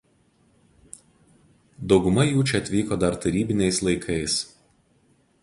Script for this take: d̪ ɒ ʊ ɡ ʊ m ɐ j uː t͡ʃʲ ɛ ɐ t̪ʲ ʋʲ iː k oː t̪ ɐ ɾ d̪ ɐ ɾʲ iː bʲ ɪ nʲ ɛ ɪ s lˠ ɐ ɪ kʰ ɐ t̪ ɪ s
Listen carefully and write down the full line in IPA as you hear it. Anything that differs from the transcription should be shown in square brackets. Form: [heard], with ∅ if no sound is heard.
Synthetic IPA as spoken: d̪ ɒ ʊ ɡ ʊ m ɐ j uː t͡ʃʲ ɛ ɐ t̪ʲ ʋʲ iː k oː [d̪] ɐ ɾ [t̪] ɐ ɾʲ iː bʲ ɪ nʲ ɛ ɪ s lˠ ɐ ɪ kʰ ɐ [∅] ɪ s